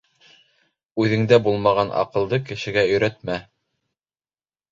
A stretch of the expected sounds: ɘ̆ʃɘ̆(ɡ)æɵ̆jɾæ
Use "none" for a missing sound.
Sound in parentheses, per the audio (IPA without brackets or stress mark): ɡ